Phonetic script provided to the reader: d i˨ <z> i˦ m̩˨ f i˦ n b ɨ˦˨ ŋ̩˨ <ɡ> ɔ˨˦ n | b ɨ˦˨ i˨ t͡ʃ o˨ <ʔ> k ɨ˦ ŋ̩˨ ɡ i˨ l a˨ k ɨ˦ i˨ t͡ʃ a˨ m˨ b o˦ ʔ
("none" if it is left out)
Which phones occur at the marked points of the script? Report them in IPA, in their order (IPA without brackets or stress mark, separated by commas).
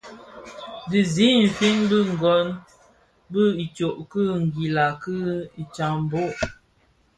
z, ɡ, ʔ